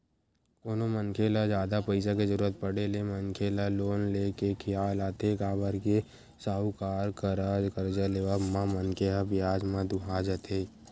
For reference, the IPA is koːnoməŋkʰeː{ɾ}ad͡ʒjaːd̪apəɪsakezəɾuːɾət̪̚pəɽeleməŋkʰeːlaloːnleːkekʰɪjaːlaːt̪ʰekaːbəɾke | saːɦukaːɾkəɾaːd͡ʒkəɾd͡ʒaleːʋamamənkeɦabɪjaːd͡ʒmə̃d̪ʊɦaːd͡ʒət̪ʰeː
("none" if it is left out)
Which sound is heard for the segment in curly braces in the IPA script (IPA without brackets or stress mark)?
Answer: l